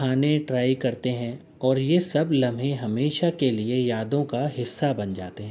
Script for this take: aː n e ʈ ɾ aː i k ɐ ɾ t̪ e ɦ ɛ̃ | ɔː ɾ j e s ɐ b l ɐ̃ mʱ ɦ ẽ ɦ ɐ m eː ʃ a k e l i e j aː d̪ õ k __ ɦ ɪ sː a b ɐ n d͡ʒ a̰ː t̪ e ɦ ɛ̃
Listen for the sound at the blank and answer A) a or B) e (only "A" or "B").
A